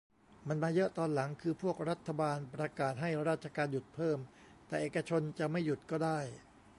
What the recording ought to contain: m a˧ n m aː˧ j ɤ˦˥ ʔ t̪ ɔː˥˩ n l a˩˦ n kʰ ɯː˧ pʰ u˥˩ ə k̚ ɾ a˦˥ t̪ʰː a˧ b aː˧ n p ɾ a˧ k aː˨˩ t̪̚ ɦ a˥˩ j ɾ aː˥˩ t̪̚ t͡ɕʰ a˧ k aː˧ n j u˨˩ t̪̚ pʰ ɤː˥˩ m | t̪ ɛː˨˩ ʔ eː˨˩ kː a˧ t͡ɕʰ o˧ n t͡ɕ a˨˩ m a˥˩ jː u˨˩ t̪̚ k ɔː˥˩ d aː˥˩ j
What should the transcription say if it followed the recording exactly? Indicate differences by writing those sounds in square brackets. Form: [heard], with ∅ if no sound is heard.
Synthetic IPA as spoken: m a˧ n m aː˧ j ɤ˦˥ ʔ t̪ [ɔː˧] n l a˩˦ [ŋ] kʰ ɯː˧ pʰ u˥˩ ə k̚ ɾ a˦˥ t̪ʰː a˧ b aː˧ n p ɾ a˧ k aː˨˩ t̪̚ ɦ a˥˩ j ɾ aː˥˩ t̪̚ t͡ɕʰ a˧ k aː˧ n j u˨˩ t̪̚ pʰ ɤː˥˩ m | t̪ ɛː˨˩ ʔ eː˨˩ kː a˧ t͡ɕʰ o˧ n t͡ɕ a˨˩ m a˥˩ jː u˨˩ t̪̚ k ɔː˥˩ d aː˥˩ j